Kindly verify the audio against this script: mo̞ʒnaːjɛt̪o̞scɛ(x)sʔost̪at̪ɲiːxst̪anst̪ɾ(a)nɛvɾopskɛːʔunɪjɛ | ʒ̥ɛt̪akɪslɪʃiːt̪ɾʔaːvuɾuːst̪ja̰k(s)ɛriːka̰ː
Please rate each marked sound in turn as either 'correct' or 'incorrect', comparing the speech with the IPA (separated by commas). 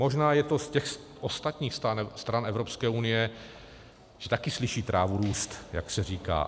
correct, correct, correct